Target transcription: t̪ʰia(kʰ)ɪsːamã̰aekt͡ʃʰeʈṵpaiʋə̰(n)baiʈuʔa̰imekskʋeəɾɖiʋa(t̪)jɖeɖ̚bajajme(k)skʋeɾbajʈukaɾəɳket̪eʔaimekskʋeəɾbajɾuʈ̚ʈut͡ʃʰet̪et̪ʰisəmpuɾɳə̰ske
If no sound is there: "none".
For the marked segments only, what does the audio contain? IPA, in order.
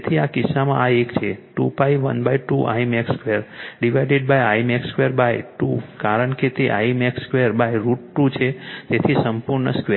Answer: k, n, none, k

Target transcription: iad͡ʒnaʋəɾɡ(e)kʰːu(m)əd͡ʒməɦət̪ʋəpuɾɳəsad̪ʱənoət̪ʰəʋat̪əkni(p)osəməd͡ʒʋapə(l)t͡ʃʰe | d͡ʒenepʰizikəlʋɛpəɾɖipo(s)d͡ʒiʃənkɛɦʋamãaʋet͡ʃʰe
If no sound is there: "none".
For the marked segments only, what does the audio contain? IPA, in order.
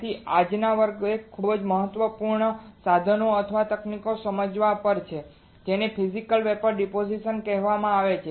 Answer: e, b, k, ɾ, none

